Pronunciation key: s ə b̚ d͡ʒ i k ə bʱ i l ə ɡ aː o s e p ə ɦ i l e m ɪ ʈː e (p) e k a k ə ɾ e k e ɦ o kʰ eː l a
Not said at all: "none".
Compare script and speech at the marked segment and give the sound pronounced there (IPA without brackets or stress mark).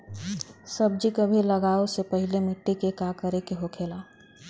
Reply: k